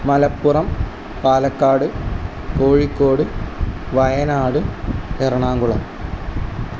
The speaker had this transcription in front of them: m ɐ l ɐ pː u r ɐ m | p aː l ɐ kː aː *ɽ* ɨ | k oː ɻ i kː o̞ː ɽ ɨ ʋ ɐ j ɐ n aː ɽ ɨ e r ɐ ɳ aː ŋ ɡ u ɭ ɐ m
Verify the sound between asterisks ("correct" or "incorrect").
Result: correct